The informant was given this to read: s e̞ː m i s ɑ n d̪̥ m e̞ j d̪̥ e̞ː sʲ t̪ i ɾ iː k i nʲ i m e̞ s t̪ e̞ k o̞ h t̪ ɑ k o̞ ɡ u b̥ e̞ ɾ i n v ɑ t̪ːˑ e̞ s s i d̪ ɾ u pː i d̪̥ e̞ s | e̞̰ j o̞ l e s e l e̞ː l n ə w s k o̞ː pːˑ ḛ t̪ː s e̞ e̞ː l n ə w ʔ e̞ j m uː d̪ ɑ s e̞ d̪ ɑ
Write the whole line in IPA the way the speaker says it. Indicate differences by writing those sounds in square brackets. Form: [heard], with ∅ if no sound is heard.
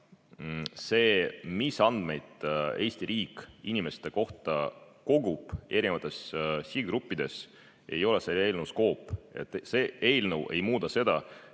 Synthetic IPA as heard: s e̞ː m i s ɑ n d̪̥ m e̞ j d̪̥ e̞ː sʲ t̪ i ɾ iː k i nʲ i m e̞ s t̪ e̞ k o̞ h t̪ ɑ k o̞ ɡ u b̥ e̞ ɾ i n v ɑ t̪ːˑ e̞ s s i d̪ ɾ u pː i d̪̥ e̞ s | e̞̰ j o̞ l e s e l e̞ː l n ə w s k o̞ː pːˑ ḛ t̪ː s e̞ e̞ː l n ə w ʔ e̞ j m uː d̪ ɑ s e̞ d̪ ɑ

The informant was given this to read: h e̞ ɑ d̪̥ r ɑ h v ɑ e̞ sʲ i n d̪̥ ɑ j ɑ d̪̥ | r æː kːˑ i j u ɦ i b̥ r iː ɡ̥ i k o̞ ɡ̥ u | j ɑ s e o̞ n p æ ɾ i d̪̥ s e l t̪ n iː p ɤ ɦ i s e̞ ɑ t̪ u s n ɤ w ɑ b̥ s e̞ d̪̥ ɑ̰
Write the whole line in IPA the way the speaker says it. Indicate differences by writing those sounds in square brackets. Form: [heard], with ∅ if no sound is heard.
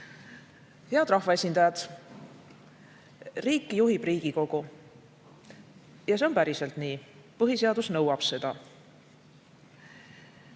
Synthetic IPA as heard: h e̞ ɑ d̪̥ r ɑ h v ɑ e̞ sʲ i n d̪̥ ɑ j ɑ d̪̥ | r [iː] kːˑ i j u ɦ i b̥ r iː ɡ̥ i k o̞ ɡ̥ u | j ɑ s e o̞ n p æ ɾ i [∅] s e l t̪ n iː p ɤ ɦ i s e̞ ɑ [d̪] u s n ɤ w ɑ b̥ s e̞ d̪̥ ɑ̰

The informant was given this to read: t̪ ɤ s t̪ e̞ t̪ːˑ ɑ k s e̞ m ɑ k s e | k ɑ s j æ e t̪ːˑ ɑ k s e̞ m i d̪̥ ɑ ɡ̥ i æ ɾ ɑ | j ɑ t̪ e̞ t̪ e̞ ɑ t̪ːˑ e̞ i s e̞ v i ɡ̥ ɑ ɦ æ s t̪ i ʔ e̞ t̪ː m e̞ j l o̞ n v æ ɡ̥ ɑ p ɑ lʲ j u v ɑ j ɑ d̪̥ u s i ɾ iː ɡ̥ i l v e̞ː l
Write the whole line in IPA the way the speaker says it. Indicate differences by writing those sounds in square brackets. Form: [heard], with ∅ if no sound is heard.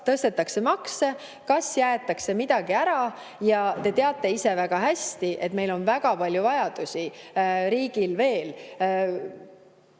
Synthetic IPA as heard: t̪ ɤ s t̪ e̞ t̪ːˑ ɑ k s e̞ m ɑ k s e | k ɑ s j æ e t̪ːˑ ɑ k s e̞ m i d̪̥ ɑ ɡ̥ i æ ɾ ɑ | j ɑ t̪ e̞ t̪ e̞ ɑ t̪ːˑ e̞ i s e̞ v [æ] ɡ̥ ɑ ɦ æ s t̪ i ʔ e̞ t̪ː m e̞ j l o̞ n v æ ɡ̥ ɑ p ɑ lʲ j u v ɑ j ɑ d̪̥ u s i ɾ iː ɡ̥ i l v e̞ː l

